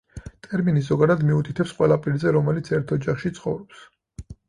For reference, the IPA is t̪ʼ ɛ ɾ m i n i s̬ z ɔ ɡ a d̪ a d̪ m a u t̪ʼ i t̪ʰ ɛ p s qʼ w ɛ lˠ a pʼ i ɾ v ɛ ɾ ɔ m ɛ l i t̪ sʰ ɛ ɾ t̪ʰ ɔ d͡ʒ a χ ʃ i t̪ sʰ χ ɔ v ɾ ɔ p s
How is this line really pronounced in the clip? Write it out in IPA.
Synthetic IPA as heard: t̪ʼ ɛ ɾ m i n i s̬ z ɔ ɡ a d̪ a d̪ m i u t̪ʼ i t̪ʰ ɛ p s qʼ w ɛ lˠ a pʼ i ɾ z ɛ ɾ ɔ m ɛ l i t̪ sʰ ɛ ɾ t̪ʰ ɔ d͡ʒ a χ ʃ i t̪ sʰ χ ɔ v ɾ ɔ p s